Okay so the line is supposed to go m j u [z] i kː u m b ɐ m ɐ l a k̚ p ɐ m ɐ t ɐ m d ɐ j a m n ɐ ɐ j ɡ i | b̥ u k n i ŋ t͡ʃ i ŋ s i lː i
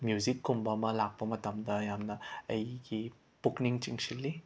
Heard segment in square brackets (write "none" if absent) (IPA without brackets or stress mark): z